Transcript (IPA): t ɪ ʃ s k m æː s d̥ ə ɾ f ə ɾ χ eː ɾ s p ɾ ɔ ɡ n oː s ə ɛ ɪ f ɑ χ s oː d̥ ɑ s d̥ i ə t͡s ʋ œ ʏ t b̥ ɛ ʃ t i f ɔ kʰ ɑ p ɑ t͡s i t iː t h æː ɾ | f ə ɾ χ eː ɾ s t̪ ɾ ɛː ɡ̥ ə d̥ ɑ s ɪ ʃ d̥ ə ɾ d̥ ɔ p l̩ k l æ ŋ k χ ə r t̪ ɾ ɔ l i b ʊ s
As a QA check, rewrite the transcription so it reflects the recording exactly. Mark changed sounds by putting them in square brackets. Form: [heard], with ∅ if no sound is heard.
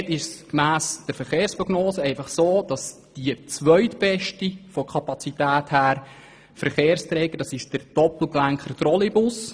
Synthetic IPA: t ɪ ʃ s k m æː s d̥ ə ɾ f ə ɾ χ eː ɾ s p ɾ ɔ ɡ n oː s ə ɛ ɪ f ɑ χ s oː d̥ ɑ s d̥ i ə t͡s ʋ œ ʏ t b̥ ɛ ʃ t i f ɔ kʰ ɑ p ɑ t͡s i t [æː] t h æː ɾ | f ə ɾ χ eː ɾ s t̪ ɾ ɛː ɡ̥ ə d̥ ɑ s ɪ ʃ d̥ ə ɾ d̥ ɔ p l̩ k l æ ŋ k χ ə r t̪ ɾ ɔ l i b ʊ s

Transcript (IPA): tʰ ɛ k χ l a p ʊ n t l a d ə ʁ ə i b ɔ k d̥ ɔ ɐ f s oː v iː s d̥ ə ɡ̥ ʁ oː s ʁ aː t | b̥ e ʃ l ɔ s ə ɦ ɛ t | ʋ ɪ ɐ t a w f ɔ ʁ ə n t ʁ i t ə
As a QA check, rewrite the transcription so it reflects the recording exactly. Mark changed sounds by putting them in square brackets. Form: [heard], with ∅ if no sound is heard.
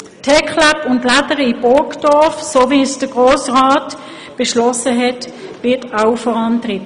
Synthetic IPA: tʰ ɛ k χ l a p ʊ n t l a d ə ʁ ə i b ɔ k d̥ ɔ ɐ f s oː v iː s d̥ ə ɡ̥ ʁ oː s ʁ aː t | b̥ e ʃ l ɔ s ə ɦ ɛ t | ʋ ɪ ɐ t a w f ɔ ʁ [ɑ] n t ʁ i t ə

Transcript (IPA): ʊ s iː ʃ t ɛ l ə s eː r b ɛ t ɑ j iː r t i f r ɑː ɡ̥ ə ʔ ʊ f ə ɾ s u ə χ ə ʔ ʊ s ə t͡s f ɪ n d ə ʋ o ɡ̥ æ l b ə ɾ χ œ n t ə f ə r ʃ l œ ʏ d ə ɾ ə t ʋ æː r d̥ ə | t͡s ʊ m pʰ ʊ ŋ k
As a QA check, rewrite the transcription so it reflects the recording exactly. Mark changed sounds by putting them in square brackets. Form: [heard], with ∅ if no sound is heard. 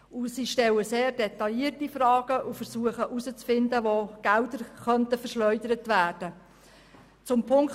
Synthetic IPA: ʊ s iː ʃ t ɛ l ə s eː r [d] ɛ t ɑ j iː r t i f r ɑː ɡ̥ ə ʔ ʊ f ə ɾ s u ə χ ə ʔ [u] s ə t͡s f ɪ n d ə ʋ o ɡ̥ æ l [d] ə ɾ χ œ n t ə f ə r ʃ l œ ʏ d ə ɾ ə t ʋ æː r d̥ ə | t͡s ʊ m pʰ ʊ ŋ k

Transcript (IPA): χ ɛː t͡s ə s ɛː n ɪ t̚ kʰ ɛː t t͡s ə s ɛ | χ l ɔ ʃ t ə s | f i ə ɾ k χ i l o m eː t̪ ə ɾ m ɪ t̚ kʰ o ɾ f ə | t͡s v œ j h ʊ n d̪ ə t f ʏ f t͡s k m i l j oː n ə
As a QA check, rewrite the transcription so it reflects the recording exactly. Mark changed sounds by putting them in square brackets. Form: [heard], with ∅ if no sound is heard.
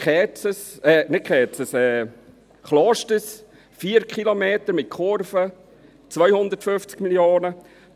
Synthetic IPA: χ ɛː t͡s ə s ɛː n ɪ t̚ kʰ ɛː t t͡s ə s ɛ | χ l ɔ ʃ t ə s | f i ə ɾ k χ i l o m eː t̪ ə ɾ m ɪ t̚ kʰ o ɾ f ə | t͡s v œ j h ʊ n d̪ ə t f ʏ f t͡s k m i l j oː n ə

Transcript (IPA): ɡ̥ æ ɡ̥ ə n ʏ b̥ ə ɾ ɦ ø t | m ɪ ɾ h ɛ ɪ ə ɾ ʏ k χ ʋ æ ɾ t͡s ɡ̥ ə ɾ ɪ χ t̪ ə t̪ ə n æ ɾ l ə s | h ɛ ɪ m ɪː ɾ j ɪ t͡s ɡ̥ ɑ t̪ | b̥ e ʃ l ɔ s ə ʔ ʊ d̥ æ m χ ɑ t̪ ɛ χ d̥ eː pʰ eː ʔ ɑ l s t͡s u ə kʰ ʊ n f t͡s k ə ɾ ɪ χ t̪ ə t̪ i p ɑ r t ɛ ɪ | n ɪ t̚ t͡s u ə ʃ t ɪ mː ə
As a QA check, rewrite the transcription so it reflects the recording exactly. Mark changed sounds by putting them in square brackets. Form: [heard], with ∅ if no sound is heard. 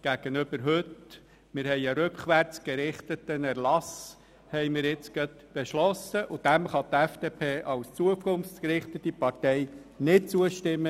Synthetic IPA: ɡ̥ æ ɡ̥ ə n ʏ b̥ ə ɾ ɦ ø t | m ɪ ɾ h ɛ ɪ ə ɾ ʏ k χ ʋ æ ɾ t͡s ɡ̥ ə ɾ ɪ χ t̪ ə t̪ ə n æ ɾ l [ɑ] s | h ɛ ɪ m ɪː ɾ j ɪ t͡s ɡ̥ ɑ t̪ | b̥ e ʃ l ɔ s ə ʔ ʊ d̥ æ m χ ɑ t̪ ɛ [f] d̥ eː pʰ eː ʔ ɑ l s t͡s u ə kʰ ʊ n f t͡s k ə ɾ ɪ χ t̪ ə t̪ i p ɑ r t ɛ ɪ | n ɪ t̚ t͡s u ə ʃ t ɪ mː ə

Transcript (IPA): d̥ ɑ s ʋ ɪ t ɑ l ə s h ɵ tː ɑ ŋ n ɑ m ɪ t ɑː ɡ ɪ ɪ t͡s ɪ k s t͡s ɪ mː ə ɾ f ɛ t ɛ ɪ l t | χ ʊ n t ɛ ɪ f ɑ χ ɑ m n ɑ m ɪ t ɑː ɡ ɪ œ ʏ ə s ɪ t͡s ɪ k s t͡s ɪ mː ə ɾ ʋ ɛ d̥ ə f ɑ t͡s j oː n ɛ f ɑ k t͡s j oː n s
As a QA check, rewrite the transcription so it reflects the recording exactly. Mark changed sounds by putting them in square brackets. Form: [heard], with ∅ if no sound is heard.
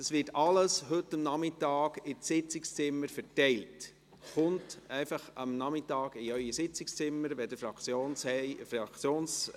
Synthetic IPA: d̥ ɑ s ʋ ɪ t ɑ l ə s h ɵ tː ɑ [m] n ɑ m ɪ t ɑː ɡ ɪ ɪ t͡s ɪ k s t͡s ɪ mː ə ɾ f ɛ t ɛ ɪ l t | χ ʊ n t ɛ ɪ f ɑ χ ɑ m n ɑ m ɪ t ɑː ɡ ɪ œ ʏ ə s ɪ t͡s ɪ k s t͡s ɪ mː ə ɾ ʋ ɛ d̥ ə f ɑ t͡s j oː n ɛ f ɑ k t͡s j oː n s

